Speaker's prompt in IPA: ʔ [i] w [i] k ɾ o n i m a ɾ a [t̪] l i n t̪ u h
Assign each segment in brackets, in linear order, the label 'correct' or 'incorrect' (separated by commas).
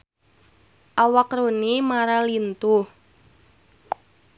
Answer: incorrect, incorrect, incorrect